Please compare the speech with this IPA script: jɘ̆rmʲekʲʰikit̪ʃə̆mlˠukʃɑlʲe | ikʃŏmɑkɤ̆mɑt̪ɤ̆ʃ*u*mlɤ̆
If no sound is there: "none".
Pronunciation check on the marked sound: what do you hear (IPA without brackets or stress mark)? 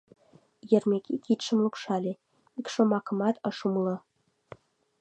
u